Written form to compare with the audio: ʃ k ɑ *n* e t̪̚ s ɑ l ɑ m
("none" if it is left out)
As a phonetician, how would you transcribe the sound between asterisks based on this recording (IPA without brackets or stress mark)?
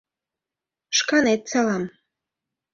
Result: n